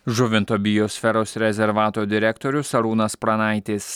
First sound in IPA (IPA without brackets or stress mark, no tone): ʒ